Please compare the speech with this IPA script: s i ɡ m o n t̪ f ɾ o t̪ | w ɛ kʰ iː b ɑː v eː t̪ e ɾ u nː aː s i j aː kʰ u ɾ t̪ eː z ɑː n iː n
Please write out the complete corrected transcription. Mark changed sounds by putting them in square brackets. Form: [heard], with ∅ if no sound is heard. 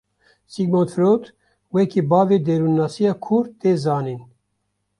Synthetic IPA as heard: s i ɡ m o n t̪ f ɾ o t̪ | w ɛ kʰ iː b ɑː v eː [d̪] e ɾ u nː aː s i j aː kʰ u ɾ t̪ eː z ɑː n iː n

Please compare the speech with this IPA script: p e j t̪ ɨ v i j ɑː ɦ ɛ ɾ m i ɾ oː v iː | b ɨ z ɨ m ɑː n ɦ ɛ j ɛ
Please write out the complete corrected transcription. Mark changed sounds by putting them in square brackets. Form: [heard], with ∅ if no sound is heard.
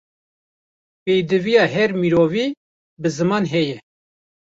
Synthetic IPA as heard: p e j [d̪] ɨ v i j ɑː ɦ ɛ ɾ m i ɾ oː v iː | b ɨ z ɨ m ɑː n ɦ ɛ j ɛ

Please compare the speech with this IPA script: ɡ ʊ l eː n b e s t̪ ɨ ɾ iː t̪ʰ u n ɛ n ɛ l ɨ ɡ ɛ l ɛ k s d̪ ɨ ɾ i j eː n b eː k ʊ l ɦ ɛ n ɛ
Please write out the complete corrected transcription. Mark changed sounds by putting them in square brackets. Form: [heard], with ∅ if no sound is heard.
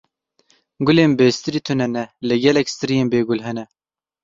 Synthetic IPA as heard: ɡ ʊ l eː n b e s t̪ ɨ ɾ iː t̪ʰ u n ɛ n ɛ l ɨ ɡ ɛ l ɛ k s [t̪] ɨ ɾ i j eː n b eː [ɡ] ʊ l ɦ ɛ n ɛ

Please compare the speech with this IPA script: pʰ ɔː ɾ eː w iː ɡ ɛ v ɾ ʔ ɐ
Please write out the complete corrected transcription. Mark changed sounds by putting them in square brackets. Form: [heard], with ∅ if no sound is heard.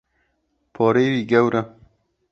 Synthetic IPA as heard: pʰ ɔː ɾ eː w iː ɡ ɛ [w] ɾ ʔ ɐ

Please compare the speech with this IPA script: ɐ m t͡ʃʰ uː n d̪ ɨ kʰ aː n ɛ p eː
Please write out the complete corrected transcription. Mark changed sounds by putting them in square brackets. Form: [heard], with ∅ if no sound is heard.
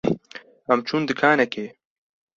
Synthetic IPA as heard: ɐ m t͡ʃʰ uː n d̪ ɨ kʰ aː n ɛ [k] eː

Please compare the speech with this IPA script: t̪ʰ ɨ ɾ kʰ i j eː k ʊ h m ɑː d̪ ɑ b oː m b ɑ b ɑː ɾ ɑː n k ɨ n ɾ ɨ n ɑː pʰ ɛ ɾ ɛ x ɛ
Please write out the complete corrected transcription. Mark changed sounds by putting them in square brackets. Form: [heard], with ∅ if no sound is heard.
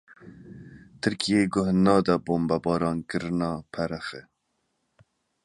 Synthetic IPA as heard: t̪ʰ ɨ ɾ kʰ i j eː [ɡ] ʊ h [n] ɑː d̪ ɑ b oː m b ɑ b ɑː ɾ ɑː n k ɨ [∅] ɾ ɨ n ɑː pʰ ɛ ɾ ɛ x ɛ

